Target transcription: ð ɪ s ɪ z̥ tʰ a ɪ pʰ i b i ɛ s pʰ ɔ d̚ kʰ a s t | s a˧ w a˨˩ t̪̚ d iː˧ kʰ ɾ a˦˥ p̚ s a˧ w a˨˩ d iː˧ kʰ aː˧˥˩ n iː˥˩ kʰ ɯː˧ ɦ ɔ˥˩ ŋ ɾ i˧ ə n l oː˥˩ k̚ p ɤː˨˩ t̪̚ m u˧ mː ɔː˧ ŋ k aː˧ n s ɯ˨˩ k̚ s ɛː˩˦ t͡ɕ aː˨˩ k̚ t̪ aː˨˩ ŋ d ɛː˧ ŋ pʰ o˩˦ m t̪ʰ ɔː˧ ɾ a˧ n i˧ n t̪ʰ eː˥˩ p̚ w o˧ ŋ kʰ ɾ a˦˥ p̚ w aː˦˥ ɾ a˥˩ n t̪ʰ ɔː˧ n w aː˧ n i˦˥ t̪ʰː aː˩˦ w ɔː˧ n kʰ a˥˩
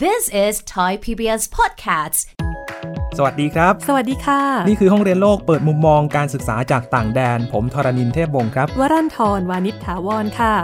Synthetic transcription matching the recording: ð ɪ s ɪ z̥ tʰ a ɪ pʰ i b i ɛ s pʰ ɔ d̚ kʰ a s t | s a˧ w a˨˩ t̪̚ d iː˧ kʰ ɾ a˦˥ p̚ s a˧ w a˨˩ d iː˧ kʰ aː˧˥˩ n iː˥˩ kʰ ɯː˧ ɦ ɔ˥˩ ŋ ɾ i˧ ə n l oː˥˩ k̚ p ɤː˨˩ t̪̚ m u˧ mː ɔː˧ ŋ k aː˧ n s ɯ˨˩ k̚ s aː˩˦ t͡ɕ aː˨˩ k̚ t̪ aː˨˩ ŋ d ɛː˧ n pʰ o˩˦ m t̪ʰ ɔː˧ ɾ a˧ n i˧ n t̪ʰ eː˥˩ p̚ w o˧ ŋ kʰ ɾ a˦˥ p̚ w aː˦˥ ɾ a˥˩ n t̪ʰ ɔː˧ n w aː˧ n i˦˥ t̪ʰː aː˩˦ w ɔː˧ n kʰ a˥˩